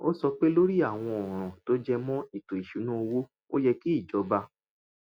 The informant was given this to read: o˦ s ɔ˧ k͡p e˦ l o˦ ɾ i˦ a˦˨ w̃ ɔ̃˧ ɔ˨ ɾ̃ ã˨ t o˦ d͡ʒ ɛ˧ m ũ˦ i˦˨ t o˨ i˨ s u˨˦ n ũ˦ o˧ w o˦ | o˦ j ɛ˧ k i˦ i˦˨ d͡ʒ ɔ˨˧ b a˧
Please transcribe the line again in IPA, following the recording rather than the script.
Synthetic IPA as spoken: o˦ s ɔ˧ k͡p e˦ l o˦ ɾ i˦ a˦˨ w̃ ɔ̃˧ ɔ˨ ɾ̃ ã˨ t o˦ d͡ʒ ɛ˧ m ɔ̃˦ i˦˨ t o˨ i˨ ʃ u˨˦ n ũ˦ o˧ w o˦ | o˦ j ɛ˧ k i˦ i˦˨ d͡ʒ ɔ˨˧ b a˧